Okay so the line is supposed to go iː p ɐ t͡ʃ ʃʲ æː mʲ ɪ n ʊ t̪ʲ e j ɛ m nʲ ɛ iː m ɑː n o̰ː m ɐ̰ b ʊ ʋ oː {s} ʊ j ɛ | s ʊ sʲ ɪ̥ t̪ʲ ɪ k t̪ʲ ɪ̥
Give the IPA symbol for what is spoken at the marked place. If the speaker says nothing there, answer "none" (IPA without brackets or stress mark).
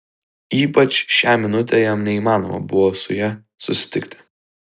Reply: s